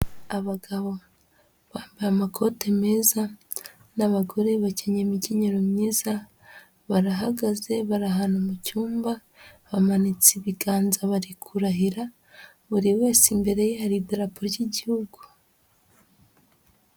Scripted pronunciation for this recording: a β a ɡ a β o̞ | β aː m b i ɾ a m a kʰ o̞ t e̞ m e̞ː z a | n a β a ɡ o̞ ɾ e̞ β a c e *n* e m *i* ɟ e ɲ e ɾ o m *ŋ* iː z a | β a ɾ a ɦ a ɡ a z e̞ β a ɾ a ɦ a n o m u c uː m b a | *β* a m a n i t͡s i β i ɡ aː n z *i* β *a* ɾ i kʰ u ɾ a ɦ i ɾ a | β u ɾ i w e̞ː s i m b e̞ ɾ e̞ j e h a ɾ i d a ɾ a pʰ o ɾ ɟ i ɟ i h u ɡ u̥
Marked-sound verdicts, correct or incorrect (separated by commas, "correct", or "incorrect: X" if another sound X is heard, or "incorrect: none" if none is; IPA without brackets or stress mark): incorrect: ɲ, correct, incorrect: ɲ, correct, incorrect: a, correct